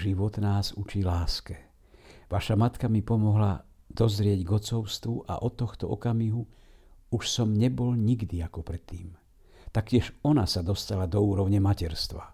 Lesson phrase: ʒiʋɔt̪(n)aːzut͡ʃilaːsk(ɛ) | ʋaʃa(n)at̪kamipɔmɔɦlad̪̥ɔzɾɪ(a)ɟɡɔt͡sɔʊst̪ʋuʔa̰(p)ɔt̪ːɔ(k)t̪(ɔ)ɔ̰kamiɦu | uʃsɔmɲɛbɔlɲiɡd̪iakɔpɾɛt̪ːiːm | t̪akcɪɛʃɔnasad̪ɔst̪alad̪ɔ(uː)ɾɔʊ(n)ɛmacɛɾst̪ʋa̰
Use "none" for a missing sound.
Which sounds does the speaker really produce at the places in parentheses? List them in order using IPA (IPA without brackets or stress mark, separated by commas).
n, ɛ, m, ɛ, ʔ, x, ɔ, uː, ɲ